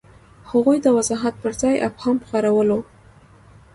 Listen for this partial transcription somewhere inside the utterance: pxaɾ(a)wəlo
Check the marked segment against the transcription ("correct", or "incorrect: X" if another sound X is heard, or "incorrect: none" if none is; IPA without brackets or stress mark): correct